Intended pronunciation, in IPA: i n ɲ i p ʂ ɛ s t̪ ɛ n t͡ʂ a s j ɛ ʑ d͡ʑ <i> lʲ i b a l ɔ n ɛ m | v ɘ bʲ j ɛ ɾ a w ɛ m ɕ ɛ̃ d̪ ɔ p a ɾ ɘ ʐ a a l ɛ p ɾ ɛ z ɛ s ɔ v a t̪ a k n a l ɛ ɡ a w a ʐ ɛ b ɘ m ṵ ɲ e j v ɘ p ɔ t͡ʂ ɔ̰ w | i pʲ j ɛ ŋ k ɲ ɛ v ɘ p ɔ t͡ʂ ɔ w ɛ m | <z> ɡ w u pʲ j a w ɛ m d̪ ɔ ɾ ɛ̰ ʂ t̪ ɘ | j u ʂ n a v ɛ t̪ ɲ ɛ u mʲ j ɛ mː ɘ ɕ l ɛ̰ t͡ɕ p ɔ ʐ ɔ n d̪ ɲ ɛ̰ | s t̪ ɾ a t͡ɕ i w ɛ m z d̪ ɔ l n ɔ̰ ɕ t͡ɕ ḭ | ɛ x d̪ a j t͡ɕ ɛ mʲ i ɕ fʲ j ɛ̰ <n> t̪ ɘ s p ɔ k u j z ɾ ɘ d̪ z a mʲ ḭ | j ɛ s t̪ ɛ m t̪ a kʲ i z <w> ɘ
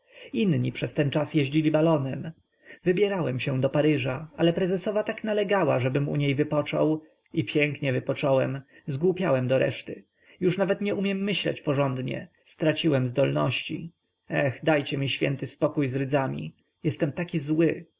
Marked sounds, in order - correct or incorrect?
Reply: correct, correct, correct, correct

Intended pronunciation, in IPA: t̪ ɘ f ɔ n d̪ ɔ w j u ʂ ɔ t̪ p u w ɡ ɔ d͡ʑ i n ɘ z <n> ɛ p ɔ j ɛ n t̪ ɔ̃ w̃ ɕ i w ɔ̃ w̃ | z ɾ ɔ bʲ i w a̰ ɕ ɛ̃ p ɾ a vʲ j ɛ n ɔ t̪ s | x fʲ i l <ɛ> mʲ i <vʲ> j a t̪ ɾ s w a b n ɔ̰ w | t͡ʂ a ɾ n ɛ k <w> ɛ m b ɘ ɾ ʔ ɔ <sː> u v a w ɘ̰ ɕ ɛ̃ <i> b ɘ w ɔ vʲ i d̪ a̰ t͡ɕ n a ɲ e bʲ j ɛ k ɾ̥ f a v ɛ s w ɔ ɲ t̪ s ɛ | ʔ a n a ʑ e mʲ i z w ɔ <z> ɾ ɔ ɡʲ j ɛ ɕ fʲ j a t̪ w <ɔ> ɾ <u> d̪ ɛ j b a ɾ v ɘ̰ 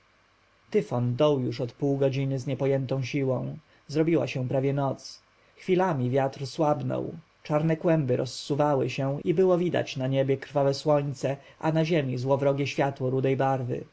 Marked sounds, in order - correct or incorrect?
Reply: incorrect: ɲ, incorrect: a, correct, correct, correct, correct, incorrect: v, correct, correct

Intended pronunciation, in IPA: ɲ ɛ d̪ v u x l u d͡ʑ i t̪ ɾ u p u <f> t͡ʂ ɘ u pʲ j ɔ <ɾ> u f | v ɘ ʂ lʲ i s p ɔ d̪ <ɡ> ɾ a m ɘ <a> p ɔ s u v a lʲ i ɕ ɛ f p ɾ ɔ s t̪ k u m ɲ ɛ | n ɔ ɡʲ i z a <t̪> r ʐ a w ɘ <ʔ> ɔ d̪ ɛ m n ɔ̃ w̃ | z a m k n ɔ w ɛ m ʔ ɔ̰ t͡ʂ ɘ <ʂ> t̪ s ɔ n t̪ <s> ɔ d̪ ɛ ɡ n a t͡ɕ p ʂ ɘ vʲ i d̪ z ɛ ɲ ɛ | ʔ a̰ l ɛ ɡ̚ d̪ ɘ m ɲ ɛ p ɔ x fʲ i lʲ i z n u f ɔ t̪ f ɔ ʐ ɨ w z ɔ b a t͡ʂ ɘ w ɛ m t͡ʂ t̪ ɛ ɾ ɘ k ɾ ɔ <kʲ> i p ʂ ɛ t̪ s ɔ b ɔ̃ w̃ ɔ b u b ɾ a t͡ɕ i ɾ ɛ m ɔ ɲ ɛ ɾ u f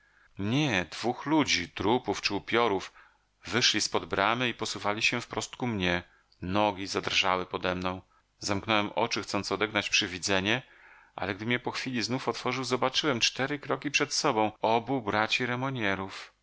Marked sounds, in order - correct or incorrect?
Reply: correct, correct, incorrect: b, incorrect: i, incorrect: d̪, incorrect: p, incorrect: x, correct, correct

